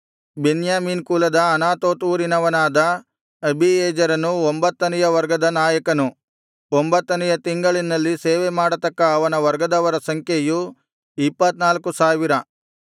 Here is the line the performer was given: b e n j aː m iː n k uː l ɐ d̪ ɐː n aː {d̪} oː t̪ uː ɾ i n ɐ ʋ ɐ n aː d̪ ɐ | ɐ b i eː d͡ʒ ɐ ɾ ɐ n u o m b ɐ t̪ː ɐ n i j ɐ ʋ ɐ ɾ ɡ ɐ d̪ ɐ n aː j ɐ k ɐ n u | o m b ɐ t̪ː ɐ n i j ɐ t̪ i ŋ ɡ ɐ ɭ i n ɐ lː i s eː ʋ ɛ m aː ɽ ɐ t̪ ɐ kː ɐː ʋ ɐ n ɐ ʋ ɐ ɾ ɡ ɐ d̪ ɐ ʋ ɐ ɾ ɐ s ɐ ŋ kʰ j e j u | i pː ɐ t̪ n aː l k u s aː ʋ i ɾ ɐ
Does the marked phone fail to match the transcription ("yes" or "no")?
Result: yes